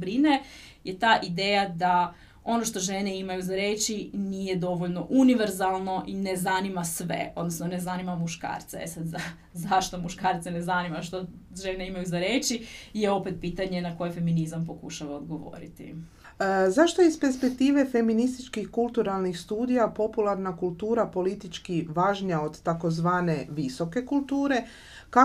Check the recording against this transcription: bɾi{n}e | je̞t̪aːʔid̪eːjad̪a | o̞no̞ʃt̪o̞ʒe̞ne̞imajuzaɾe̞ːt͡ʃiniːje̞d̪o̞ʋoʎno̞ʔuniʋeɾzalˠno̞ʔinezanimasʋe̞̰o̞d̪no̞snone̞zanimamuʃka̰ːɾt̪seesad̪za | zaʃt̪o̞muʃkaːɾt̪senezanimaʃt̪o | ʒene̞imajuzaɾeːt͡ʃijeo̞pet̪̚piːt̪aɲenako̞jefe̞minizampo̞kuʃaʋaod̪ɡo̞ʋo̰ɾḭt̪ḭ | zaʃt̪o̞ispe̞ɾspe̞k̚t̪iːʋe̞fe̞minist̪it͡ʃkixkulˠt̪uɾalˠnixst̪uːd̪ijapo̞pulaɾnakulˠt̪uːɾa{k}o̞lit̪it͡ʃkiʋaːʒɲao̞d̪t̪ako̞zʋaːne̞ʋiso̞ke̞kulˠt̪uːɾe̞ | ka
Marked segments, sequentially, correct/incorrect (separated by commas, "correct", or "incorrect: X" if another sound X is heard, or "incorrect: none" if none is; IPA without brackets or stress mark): correct, incorrect: p